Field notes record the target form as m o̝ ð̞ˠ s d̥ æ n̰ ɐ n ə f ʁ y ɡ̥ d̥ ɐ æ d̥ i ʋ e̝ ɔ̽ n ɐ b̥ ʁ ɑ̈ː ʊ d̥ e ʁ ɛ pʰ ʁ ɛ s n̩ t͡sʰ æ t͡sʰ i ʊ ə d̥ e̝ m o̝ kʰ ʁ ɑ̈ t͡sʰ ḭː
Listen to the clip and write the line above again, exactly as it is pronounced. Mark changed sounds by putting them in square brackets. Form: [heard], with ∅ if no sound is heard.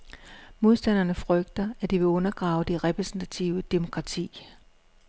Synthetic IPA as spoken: m o̝ ð̞ˠ s d̥ æ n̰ ɐ n ə f ʁ [œ] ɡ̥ d̥ ɐ æ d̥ i ʋ e̝ ɔ̽ n ɐ [ɡ̥] ʁ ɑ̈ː ʊ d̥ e ʁ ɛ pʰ ʁ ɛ s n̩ t͡sʰ æ t͡sʰ i ʊ ə d̥ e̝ m o̝ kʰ ʁ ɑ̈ t͡sʰ ḭː